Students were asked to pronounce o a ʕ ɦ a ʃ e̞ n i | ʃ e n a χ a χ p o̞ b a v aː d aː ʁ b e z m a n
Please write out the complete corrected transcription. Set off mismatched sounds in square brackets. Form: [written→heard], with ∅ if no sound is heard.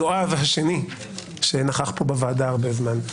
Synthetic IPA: o a [ʕ→v] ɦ a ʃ e̞ n i | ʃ e n a χ a χ p o̞ b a v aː d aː ʁ b e z m a n

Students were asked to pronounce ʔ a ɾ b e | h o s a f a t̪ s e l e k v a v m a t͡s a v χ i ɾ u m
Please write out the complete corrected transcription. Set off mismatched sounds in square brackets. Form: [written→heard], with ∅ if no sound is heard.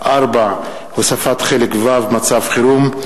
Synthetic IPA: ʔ a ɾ b [e→a] | h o s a f a t̪ [s→χ] e l e k v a v m a t͡s a v χ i ɾ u m

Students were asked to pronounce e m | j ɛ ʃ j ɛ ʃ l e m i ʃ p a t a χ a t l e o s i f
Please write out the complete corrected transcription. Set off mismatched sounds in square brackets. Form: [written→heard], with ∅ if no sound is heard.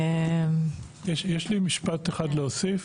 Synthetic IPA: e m | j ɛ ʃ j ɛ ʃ l [e→i] m i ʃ p a t [a→e] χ a [t→d] l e o s i f

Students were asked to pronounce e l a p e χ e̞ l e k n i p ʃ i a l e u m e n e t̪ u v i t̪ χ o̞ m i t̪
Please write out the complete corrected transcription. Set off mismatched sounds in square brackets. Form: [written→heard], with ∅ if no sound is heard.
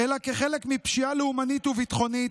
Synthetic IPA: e l a [p→k] e χ e̞ l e k [n→m] i p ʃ i a l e u m [e→a] n [e→i] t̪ u v i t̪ χ o̞ [m→n] i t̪

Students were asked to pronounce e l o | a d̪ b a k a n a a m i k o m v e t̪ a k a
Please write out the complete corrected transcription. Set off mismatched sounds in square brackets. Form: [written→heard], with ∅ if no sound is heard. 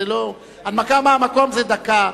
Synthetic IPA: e l o | a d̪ [b→m] a k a [n→m] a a m [i→a] k o m [v→z] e [t̪→d̪] a k a

